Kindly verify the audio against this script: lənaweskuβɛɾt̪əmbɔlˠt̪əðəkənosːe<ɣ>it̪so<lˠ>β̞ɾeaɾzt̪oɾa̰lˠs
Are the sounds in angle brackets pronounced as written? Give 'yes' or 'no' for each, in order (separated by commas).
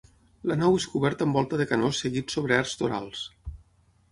yes, no